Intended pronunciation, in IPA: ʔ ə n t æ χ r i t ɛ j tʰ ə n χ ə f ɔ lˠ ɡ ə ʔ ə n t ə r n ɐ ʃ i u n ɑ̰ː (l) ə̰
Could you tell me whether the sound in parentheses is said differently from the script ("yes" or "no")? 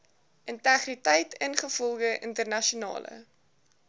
no